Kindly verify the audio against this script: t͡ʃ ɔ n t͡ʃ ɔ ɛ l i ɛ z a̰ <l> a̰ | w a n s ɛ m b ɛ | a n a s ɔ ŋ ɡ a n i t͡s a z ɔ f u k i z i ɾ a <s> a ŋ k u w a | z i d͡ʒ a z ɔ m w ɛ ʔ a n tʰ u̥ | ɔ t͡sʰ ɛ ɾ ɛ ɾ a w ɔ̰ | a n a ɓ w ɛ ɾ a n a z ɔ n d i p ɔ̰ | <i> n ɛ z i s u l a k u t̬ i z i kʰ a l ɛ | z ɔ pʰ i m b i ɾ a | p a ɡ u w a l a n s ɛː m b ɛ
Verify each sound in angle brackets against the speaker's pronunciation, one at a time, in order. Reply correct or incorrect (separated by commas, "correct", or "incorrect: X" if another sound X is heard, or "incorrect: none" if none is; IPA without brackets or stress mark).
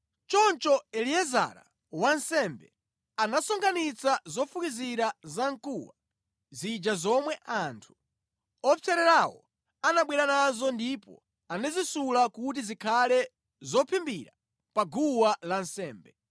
incorrect: ɾ, incorrect: z, incorrect: a